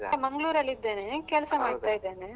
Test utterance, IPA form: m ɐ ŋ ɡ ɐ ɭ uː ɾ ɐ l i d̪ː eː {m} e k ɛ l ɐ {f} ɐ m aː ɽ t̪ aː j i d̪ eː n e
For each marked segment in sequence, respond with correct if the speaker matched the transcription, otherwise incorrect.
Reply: incorrect, incorrect

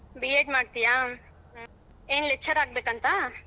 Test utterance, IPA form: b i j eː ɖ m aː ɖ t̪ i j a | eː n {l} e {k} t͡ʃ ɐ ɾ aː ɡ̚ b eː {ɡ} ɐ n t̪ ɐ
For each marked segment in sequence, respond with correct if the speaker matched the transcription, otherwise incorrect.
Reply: correct, correct, incorrect

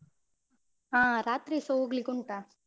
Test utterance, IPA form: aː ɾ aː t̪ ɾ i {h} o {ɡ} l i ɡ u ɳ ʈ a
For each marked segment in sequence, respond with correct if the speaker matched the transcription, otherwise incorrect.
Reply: incorrect, correct

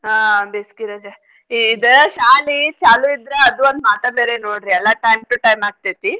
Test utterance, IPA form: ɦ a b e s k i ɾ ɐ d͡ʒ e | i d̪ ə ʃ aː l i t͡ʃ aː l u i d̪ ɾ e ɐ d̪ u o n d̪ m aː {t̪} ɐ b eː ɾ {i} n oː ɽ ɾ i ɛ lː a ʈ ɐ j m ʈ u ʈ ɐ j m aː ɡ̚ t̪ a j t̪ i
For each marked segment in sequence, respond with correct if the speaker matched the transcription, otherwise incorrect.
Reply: correct, incorrect

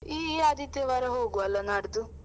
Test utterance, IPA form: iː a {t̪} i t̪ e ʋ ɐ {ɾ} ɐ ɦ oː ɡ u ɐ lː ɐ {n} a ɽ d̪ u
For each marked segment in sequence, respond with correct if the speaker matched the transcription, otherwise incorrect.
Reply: incorrect, correct, correct

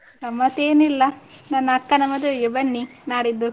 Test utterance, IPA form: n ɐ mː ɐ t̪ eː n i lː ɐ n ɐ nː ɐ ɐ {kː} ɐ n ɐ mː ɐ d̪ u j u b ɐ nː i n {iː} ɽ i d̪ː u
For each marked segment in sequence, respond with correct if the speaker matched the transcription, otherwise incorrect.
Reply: correct, incorrect

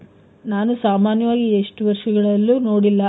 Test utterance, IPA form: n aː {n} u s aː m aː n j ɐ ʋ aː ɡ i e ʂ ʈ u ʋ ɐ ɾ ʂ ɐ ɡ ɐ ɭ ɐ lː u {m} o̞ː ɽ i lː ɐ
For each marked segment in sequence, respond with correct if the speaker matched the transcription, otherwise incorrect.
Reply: correct, incorrect

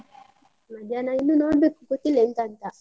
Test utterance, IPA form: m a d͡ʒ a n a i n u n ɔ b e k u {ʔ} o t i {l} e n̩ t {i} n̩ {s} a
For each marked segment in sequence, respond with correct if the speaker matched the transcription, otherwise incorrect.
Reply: incorrect, correct, incorrect, incorrect

